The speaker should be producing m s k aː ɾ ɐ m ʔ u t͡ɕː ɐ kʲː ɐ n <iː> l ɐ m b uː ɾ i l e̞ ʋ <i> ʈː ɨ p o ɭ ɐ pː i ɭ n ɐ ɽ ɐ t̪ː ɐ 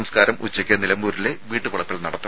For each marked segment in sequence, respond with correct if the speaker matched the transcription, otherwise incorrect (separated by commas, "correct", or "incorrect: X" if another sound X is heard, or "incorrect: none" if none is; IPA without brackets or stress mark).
incorrect: i, incorrect: iː